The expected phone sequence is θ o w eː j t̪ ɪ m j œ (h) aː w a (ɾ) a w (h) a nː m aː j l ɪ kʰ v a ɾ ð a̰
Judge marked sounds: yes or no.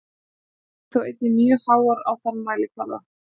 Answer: yes, yes, no

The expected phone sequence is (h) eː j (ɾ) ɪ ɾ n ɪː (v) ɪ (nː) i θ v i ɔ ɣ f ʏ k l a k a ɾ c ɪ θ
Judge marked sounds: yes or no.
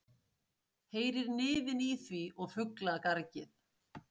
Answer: yes, yes, no, no

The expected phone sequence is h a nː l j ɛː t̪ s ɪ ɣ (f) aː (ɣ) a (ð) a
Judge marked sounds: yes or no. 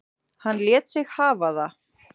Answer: no, no, yes

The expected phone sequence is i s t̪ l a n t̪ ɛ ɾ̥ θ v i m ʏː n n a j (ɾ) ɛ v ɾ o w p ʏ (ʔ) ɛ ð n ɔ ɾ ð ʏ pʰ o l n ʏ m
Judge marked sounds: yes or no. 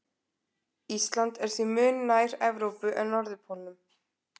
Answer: yes, yes

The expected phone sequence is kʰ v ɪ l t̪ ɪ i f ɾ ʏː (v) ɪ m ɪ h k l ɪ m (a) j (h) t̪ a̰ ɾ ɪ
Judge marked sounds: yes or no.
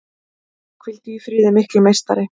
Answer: no, no, no

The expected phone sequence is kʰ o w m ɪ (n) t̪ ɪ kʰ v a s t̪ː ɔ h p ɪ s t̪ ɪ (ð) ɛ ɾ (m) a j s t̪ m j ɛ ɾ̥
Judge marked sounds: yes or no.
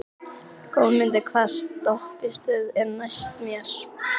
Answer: yes, yes, no

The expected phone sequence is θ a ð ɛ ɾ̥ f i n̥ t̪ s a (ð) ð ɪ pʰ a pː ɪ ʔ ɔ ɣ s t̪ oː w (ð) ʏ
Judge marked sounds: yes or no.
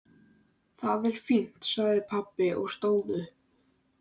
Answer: no, yes

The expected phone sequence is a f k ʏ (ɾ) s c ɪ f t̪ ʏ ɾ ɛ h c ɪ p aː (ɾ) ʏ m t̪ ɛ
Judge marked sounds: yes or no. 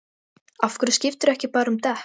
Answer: yes, yes

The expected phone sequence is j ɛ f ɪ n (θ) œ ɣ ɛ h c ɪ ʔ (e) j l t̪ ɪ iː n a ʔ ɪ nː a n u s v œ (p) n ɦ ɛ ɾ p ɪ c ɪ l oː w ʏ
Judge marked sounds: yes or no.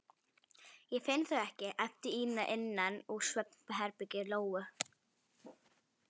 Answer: yes, no, yes

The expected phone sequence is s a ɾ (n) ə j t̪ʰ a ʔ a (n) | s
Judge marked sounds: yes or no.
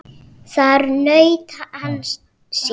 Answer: yes, yes

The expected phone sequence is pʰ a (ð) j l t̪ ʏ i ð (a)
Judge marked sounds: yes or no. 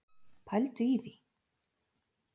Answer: no, no

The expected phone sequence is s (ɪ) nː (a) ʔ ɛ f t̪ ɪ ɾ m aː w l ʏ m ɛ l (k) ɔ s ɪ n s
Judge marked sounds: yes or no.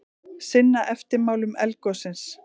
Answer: yes, yes, yes

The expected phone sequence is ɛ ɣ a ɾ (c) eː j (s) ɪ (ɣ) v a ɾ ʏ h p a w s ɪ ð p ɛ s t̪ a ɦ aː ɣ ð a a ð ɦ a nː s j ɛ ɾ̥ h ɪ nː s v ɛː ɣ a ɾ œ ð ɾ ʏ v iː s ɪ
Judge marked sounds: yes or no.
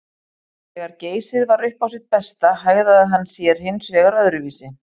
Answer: yes, yes, no

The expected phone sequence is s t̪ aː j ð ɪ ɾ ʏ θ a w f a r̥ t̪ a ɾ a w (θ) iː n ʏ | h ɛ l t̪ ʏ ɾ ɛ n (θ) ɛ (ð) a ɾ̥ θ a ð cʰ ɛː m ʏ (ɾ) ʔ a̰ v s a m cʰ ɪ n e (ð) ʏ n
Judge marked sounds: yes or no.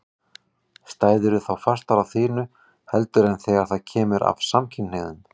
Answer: yes, yes, no, yes, yes

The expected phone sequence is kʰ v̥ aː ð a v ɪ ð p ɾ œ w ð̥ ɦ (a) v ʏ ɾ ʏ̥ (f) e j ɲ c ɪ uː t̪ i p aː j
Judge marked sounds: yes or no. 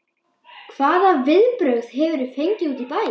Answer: no, yes

